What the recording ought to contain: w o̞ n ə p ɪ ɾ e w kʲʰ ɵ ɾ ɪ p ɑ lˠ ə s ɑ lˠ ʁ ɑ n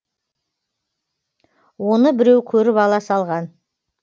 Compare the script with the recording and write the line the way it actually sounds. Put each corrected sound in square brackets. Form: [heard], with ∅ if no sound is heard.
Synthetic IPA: w o̞ n ə [b] ɪ ɾ e w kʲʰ ɵ ɾ ɪ p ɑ lˠ [ɑ] s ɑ lˠ ʁ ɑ n